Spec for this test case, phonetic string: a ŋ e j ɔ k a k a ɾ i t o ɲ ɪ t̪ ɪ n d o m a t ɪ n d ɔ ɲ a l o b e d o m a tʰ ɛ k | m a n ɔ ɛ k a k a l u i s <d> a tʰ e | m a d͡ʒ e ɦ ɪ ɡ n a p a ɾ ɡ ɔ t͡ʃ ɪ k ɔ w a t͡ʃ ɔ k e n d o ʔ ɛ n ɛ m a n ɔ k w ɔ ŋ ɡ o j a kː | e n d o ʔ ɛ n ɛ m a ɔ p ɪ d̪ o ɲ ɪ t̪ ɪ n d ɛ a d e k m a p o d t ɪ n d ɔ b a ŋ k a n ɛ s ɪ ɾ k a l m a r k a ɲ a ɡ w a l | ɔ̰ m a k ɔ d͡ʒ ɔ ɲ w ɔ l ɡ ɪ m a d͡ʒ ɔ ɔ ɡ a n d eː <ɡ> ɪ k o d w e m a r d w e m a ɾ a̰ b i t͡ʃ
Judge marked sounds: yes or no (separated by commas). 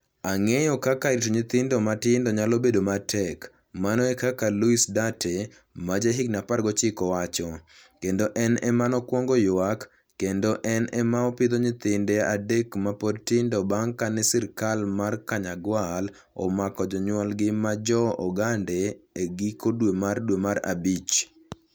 yes, yes